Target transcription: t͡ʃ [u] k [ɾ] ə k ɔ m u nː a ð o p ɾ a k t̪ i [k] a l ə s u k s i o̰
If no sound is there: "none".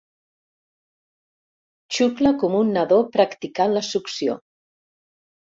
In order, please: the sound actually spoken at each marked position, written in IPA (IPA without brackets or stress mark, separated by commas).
u, l, k